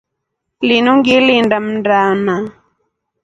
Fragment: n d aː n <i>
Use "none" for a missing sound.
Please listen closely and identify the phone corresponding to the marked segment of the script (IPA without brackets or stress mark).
a